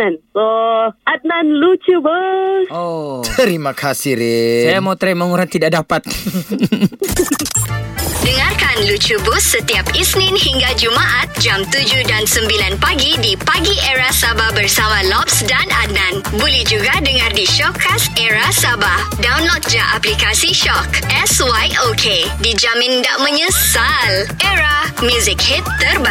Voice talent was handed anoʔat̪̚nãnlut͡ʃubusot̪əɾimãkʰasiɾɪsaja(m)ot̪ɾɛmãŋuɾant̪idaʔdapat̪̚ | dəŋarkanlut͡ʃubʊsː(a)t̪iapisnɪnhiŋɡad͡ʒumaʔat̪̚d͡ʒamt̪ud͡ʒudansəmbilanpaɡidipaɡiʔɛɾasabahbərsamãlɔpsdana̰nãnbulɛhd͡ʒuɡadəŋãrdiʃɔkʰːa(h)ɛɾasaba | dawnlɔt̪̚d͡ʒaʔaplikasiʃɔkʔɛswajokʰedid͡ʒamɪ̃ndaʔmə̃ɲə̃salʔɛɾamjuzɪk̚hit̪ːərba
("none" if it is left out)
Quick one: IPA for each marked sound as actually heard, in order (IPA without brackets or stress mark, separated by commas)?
m, ə, s